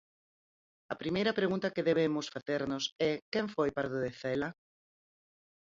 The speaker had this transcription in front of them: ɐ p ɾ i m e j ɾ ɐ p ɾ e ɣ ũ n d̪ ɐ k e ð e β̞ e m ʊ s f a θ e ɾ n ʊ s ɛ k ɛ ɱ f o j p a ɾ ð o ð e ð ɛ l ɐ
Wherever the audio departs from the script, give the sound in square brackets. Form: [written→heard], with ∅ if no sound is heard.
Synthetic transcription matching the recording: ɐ p ɾ i m e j ɾ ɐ p ɾ e ɣ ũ n [d̪→t̪] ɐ k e ð e β̞ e m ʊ s f a θ e ɾ n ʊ s ɛ k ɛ ɱ f o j p a ɾ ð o ð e [ð→θ] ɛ l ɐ